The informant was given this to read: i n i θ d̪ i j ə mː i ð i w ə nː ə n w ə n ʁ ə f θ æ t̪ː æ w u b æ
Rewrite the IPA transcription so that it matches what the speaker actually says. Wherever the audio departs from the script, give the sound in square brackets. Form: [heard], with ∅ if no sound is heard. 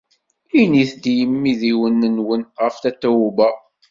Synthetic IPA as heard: i n i θ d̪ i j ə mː i ð i w ə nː ə n w ə n ʁ ə f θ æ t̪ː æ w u b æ